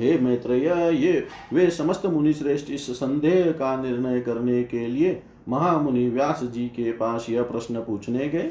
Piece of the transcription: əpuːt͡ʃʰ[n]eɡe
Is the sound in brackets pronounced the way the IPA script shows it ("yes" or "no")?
yes